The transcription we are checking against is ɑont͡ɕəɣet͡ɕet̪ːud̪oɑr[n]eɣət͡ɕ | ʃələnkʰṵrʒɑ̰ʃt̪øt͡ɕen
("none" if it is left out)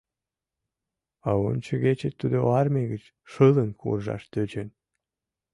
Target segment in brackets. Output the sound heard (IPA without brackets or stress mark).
m